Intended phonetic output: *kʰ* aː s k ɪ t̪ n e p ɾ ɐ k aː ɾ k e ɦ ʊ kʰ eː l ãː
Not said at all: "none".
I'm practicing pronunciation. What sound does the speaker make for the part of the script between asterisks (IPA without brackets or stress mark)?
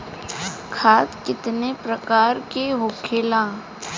kʰ